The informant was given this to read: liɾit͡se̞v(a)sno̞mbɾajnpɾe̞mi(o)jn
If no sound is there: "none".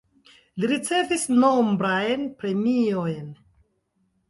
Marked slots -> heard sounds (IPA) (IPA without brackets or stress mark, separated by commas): i, o